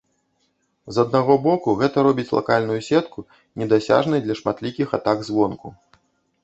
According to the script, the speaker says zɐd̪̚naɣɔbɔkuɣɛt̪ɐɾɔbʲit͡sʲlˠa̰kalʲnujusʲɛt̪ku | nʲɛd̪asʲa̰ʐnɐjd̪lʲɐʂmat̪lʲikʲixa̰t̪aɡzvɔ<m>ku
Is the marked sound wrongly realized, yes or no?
yes